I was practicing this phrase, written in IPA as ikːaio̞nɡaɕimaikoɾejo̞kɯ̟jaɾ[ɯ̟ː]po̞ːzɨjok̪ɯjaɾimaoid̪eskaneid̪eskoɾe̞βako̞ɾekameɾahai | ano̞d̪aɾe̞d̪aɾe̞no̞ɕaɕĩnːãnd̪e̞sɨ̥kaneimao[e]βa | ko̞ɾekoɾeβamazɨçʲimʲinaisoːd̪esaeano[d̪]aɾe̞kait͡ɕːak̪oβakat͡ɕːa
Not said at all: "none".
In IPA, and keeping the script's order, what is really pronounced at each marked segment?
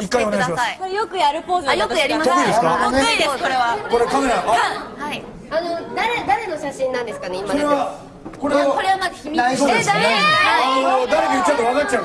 ɯ̟, e, d̪

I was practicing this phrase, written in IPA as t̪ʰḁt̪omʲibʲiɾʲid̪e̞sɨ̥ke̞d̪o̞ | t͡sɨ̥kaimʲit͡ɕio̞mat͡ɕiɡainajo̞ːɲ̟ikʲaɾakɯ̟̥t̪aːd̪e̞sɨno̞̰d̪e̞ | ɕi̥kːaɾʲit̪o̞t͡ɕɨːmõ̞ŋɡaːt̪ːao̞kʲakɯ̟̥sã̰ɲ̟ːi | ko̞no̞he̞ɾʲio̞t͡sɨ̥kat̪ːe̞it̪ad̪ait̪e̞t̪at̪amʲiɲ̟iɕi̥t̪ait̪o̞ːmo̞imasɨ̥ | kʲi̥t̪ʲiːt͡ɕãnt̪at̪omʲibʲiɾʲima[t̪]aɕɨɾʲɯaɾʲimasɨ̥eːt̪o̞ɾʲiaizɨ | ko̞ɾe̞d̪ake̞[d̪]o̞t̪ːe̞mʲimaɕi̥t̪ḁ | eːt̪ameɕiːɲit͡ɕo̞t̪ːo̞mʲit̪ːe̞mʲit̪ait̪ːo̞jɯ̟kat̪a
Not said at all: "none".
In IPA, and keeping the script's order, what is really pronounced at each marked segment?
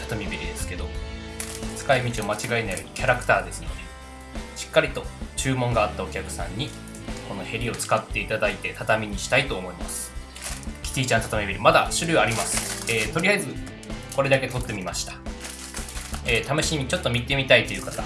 d̪, t̪

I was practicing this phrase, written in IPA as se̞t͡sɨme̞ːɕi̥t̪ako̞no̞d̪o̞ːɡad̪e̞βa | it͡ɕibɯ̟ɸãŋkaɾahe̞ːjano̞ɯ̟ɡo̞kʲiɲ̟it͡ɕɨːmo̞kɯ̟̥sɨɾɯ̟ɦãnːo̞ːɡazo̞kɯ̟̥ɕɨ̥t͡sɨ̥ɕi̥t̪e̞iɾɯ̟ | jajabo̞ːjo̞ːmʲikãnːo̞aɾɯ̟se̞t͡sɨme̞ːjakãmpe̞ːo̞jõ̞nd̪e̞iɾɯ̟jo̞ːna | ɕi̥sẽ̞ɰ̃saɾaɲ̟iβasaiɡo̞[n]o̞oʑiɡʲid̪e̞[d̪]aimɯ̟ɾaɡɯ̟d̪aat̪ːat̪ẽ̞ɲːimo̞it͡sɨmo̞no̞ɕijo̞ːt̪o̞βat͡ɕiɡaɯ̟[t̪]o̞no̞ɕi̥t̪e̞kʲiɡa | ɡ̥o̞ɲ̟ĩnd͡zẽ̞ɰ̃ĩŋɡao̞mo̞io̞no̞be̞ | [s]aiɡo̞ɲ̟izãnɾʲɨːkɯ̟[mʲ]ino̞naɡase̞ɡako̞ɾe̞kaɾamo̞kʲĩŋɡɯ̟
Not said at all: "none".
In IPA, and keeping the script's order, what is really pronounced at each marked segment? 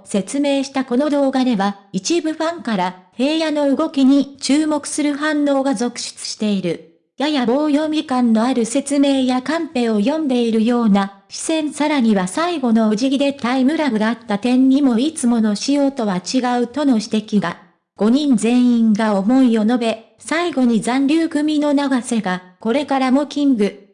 n, t̪, t̪, s, mʲ

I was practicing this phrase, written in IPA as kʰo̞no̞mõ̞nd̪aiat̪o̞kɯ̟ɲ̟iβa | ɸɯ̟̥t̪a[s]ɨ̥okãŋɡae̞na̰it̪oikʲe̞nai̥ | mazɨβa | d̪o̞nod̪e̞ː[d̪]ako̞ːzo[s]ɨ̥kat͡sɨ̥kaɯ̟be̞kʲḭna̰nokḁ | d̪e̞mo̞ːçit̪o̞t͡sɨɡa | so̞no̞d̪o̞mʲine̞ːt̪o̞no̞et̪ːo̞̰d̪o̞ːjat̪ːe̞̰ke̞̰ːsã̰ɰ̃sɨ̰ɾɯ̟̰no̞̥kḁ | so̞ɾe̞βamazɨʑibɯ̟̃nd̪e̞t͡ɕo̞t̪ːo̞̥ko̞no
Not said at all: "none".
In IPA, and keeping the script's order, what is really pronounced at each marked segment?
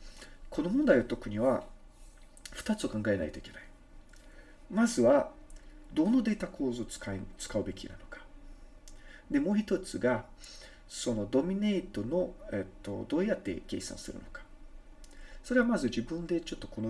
t͡s, t̪, t͡s

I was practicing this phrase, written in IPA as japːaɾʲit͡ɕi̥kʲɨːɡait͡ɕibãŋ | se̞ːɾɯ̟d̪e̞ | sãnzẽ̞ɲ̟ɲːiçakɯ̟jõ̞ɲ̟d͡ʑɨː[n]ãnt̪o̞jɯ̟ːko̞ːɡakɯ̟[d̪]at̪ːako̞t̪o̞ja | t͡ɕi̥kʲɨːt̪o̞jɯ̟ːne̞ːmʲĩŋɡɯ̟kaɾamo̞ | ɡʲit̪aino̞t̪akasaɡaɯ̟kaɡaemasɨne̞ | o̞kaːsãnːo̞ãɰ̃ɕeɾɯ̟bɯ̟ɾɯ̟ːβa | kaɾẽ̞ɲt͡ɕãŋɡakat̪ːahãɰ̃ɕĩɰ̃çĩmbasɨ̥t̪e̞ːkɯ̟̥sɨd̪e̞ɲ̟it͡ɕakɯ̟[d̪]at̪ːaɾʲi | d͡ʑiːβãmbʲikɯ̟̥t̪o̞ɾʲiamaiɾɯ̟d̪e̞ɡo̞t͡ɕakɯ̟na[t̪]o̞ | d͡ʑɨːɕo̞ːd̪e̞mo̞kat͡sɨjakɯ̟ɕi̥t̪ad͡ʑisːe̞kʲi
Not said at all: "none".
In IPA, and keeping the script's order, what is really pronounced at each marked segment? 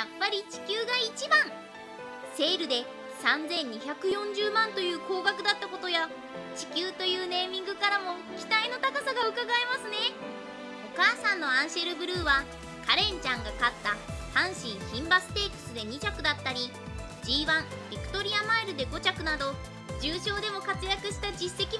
m, d̪, d̪, d̪

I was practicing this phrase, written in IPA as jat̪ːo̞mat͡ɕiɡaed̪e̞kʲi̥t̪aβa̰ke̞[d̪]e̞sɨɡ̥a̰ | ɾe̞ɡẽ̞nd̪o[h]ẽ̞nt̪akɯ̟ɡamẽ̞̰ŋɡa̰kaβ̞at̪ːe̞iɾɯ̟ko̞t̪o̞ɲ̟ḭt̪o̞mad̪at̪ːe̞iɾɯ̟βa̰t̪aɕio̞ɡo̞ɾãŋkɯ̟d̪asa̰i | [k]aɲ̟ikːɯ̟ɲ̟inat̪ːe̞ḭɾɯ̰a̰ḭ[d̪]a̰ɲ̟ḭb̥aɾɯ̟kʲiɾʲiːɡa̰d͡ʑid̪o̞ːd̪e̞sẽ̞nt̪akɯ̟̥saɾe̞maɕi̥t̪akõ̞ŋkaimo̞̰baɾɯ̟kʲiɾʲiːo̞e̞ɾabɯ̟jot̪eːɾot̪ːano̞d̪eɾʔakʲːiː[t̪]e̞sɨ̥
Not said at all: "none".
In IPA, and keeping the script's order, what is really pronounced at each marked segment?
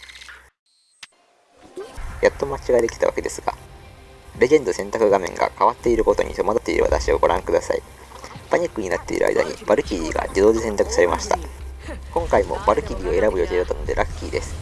d̪, s, p, d̪, d̪

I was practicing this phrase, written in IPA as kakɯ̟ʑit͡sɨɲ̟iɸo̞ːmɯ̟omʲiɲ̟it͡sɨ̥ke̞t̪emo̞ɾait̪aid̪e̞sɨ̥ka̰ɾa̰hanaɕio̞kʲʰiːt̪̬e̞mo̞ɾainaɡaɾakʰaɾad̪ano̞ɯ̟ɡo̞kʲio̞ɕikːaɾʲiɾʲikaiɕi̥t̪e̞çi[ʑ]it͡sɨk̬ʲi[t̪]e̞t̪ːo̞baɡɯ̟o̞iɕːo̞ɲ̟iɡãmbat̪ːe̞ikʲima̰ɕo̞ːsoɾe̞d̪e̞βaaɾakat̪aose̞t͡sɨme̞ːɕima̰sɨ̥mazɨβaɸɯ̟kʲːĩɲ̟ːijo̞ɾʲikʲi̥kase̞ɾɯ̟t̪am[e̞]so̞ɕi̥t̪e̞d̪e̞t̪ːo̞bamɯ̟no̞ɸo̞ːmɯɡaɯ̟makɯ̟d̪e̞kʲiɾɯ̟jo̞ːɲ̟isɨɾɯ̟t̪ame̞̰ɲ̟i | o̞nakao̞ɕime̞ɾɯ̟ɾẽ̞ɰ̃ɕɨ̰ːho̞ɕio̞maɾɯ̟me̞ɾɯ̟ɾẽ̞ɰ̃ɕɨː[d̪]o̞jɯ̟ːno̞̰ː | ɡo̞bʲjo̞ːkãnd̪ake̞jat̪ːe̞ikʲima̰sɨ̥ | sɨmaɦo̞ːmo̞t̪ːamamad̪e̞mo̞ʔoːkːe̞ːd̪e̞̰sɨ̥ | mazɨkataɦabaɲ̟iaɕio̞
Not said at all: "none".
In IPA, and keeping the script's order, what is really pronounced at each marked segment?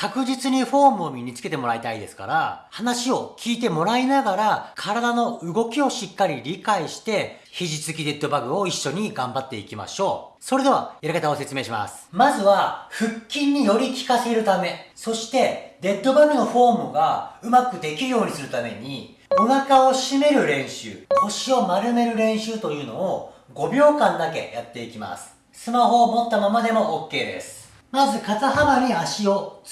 ʑ, d̪, e̞, t̪

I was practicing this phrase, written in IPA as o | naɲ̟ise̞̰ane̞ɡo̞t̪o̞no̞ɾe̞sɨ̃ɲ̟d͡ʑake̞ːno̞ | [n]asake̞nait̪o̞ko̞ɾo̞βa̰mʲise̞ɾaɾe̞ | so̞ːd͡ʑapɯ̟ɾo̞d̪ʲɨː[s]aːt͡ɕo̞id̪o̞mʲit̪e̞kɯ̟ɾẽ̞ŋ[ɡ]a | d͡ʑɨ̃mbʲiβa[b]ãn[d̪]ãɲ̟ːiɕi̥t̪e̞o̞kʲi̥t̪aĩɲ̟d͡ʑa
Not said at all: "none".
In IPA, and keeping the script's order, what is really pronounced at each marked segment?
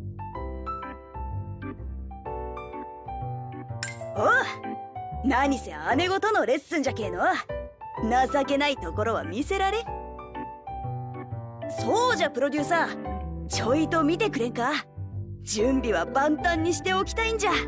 n, s, k, b, t̪

